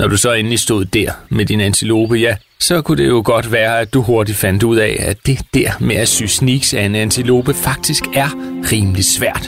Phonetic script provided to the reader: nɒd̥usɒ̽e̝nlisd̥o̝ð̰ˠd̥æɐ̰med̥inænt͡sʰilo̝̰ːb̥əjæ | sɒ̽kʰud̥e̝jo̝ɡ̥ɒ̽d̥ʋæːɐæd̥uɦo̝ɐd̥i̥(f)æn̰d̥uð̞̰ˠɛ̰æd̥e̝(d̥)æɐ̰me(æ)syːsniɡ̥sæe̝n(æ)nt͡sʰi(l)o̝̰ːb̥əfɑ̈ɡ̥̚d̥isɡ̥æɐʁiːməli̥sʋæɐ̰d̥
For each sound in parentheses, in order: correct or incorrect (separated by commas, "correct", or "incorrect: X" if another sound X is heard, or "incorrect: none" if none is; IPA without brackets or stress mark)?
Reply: correct, correct, correct, correct, correct